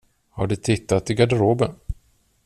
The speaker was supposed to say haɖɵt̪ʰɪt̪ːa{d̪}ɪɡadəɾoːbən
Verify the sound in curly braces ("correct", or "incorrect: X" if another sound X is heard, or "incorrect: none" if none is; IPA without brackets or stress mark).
incorrect: t̪